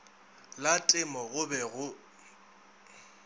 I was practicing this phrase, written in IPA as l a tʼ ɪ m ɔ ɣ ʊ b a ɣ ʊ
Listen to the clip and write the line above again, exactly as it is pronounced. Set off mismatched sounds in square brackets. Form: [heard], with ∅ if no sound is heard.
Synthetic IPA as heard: l a tʼ ɪ m ɔ ɣ ʊ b [ɛ] ɣ ʊ